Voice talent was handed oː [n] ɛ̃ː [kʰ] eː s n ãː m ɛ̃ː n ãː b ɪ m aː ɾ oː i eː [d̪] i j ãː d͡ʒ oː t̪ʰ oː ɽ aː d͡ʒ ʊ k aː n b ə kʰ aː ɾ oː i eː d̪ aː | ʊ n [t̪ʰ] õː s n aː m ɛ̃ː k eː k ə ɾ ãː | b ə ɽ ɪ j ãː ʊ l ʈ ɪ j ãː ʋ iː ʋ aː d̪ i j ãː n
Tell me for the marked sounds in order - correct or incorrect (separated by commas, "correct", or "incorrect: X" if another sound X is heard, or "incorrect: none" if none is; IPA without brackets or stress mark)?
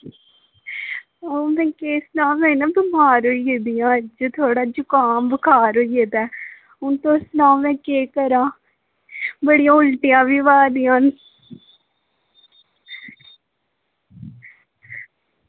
incorrect: m, incorrect: k, correct, incorrect: t̪